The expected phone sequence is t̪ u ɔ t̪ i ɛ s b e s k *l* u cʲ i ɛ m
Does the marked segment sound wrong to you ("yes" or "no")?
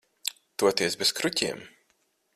yes